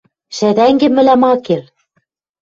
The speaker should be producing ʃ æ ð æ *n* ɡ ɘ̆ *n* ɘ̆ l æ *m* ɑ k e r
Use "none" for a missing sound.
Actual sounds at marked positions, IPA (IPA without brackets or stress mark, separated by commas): ŋ, m, m